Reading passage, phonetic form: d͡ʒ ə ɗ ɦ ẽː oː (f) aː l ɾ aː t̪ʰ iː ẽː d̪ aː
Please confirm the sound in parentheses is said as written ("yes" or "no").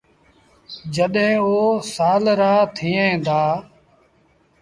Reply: no